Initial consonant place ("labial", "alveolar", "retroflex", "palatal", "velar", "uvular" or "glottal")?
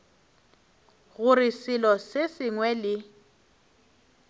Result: velar